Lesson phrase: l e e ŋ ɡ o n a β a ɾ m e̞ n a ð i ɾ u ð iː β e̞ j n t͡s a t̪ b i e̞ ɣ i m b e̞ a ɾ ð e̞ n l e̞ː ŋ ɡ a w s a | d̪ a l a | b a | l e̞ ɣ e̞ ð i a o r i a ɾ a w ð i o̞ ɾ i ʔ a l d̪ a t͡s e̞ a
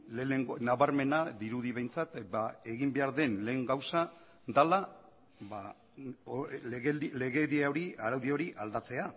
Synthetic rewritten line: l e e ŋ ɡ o n a β a ɾ m e̞ n a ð i ɾ u ð i β e̞ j n t͡s a t̪ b a e̞ ɣ i m b e̞ a ɾ ð e̞ n l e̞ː ŋ ɡ a w s a | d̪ a l a | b a | l e̞ ɣ e̞ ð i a o ɾ i a ɾ a w ð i o̞ ɾ i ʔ a l d̪ a t͡s e̞ a